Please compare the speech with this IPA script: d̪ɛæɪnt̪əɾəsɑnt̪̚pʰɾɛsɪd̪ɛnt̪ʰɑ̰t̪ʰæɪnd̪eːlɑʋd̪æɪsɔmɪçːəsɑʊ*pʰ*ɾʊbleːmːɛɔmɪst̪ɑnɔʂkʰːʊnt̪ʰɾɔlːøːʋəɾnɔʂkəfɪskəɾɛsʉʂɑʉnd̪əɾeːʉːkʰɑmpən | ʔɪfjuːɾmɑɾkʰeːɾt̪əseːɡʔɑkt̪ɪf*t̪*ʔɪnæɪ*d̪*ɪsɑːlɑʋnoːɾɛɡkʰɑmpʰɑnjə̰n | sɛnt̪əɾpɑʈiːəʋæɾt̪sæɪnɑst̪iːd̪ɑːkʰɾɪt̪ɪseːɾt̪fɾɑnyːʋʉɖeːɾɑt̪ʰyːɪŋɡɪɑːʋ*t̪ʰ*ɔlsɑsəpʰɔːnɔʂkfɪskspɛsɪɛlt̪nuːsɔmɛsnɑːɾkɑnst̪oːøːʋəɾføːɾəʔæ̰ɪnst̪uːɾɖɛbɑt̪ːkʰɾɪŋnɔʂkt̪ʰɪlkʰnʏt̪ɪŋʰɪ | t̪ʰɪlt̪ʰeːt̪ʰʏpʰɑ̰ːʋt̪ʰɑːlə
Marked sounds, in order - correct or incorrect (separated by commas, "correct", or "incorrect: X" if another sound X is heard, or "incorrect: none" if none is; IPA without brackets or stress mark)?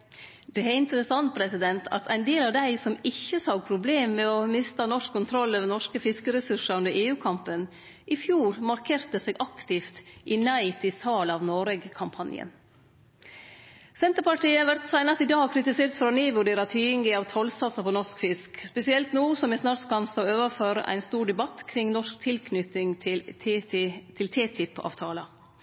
correct, correct, incorrect: t̪, correct